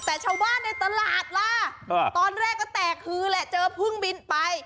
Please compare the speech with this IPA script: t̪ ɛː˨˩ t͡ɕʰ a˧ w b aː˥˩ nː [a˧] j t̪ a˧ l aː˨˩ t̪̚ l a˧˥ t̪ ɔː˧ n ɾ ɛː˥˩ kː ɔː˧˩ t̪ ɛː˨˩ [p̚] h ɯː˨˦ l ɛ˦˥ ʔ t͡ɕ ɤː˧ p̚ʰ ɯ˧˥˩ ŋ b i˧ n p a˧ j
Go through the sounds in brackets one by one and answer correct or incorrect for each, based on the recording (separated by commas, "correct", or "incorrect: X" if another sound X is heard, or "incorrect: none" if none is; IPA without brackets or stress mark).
correct, incorrect: k̚